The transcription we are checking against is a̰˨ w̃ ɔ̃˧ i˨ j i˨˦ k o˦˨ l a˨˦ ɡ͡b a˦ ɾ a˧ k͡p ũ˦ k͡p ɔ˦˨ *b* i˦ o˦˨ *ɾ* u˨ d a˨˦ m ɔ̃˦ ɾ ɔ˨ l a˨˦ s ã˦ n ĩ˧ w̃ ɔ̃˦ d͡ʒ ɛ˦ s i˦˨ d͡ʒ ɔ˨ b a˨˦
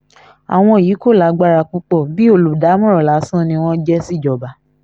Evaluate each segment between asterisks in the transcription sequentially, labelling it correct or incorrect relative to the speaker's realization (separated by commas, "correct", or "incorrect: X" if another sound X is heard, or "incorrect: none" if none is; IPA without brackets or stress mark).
correct, incorrect: l